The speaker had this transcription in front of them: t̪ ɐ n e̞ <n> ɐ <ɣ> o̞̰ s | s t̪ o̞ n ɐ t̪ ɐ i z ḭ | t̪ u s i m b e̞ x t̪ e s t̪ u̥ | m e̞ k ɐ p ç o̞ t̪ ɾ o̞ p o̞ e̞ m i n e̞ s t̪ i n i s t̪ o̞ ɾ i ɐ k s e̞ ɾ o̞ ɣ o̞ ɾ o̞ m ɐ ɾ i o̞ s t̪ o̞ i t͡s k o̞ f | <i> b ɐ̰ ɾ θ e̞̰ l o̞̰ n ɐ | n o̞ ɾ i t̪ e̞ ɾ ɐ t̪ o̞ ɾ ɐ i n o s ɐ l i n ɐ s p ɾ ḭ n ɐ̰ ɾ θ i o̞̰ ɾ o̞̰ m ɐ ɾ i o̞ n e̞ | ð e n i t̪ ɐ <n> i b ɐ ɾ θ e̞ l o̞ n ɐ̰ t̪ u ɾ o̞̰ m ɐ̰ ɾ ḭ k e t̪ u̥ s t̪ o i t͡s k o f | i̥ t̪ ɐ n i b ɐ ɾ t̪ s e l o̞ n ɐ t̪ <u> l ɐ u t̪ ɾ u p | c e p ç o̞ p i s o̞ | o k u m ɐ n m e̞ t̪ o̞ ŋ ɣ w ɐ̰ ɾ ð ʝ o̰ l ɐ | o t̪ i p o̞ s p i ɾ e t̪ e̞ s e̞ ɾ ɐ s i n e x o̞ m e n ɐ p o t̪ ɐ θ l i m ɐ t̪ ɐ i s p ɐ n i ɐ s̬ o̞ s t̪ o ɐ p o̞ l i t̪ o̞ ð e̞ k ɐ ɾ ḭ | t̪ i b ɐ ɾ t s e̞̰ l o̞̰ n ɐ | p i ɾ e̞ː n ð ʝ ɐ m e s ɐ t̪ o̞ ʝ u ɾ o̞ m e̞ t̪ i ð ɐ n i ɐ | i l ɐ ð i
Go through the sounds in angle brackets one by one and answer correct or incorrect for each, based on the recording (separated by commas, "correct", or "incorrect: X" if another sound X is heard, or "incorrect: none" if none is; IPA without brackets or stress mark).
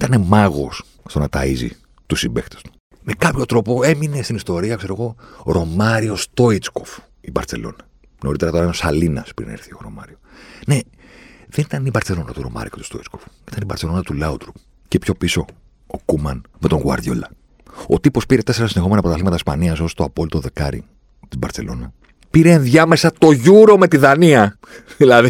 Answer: incorrect: m, correct, correct, correct, correct